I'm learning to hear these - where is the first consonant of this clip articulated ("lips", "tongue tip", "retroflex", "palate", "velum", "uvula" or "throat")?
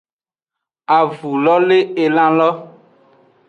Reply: lips